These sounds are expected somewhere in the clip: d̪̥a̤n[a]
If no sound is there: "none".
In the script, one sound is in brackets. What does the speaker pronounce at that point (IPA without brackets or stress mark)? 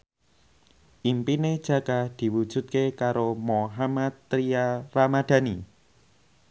i